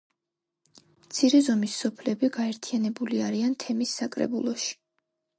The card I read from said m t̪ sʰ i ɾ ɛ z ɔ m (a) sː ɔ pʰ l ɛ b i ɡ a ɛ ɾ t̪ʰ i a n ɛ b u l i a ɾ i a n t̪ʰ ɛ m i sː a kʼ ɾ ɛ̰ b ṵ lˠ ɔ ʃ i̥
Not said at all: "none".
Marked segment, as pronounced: i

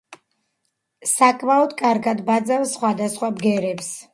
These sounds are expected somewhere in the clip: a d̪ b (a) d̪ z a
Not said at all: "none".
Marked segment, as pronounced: a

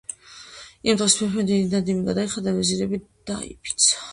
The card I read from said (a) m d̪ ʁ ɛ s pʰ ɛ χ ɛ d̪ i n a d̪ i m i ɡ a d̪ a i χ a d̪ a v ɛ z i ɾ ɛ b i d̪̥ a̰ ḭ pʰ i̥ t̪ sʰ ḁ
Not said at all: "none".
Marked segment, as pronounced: i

